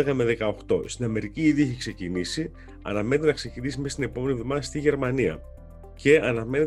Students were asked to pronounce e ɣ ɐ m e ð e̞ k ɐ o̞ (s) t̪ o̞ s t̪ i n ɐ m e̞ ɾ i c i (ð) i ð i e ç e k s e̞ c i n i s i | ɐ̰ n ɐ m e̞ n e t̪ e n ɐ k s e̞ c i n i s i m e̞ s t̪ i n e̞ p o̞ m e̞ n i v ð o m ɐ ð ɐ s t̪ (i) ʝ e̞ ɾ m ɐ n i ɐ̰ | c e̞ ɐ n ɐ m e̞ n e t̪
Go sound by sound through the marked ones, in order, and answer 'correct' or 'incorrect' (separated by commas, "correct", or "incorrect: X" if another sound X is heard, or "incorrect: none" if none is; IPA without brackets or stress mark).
incorrect: x, incorrect: none, correct